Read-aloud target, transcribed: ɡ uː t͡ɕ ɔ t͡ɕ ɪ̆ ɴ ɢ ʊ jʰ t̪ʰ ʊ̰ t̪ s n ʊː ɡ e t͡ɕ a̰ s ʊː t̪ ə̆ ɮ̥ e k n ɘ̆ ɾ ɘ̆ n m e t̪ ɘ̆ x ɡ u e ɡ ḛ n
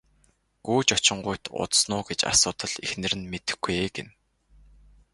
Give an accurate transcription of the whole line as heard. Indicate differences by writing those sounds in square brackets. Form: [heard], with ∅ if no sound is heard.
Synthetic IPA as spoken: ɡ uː t͡ɕ ɔ t͡ɕ ɪ̆ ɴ ɢ ʊ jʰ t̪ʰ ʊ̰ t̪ s n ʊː ɡ e t͡ɕ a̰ s ʊː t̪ ə̆ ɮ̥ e [x] n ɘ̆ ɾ ɘ̆ n m e t̪ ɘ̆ x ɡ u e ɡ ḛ n